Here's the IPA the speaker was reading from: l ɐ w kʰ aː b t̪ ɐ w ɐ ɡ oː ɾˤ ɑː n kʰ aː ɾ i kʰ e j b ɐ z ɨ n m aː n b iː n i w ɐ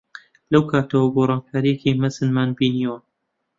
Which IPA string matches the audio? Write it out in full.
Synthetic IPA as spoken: l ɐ w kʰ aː t̪ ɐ w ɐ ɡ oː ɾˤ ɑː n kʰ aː ɾ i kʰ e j m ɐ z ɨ n m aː n b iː n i w ɐ